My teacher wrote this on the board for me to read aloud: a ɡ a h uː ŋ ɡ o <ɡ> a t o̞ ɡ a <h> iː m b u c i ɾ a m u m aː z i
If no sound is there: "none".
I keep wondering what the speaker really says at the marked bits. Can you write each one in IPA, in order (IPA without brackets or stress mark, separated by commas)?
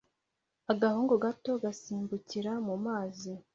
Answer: ɡ, s